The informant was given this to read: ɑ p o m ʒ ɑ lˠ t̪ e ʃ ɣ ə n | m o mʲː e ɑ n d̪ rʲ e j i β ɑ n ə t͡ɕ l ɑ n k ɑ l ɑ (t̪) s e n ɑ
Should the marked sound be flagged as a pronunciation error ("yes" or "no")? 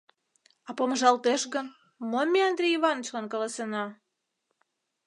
yes